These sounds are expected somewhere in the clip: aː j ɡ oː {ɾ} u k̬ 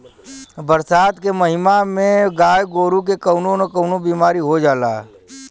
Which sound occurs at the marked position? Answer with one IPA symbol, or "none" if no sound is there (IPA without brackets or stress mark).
ɾ